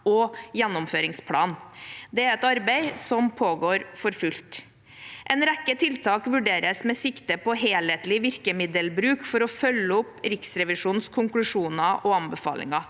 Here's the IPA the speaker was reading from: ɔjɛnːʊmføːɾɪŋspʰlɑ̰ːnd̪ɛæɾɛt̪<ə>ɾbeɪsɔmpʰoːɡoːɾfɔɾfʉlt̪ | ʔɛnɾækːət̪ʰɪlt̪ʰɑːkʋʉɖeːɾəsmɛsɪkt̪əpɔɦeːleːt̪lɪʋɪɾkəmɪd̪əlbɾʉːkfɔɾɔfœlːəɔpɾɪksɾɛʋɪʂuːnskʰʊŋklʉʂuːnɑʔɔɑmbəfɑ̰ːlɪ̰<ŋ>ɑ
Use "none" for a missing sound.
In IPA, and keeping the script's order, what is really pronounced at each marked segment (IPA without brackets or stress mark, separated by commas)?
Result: ɑ, ŋ